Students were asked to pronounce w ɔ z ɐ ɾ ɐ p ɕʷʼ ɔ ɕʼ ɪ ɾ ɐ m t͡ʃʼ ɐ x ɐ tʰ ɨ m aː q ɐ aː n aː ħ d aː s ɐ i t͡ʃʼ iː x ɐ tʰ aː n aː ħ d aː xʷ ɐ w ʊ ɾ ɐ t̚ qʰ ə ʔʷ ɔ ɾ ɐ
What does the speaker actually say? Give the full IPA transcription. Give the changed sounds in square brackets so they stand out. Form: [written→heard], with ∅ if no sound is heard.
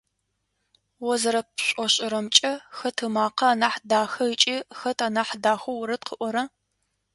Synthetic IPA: w ɔ z ɐ ɾ ɐ p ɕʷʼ ɔ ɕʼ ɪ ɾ ɐ m t͡ʃʼ ɐ x ɐ tʰ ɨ m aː q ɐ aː n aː ħ d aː [s→x] ɐ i t͡ʃʼ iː x ɐ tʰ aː n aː ħ d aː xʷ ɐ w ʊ ɾ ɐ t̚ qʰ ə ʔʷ ɔ ɾ ɐ